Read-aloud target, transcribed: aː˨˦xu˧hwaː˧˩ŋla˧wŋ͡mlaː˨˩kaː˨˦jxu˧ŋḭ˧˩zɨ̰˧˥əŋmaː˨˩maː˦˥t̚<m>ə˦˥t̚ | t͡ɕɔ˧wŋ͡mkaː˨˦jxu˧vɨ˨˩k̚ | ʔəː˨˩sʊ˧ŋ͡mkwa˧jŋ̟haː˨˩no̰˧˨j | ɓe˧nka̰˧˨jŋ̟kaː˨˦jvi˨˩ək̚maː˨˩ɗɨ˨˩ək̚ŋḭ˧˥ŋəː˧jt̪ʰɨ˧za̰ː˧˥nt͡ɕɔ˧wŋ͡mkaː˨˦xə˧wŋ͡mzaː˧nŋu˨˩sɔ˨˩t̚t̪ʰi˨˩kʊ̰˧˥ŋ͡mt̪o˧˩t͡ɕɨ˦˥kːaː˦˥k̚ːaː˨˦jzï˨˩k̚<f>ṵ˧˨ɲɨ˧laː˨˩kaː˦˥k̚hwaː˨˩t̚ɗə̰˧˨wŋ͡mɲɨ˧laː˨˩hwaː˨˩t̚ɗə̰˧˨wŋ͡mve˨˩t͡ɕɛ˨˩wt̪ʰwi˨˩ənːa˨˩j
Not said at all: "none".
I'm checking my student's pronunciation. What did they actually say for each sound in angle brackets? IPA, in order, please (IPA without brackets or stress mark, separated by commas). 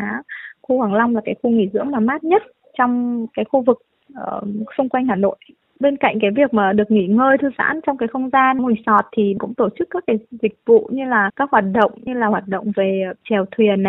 ɲ, v